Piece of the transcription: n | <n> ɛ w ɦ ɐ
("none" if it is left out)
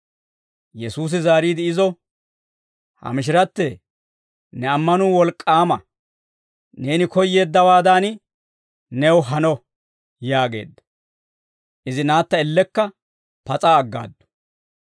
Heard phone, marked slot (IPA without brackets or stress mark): n